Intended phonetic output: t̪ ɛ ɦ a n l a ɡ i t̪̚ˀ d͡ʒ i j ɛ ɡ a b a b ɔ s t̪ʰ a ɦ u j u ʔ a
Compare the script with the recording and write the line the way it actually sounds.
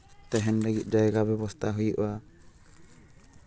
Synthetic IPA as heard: t̪ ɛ ɦ ɛ n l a ɡ i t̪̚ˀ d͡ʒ a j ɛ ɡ a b ɛ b ɔ s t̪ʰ a ɦ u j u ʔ a